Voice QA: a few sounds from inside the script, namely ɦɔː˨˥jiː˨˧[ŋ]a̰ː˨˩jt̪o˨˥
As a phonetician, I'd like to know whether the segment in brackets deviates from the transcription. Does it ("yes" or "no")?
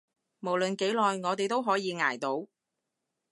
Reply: no